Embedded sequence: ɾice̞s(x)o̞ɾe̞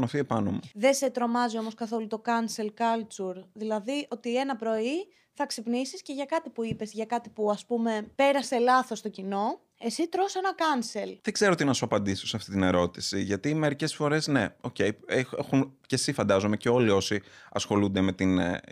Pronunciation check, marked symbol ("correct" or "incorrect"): incorrect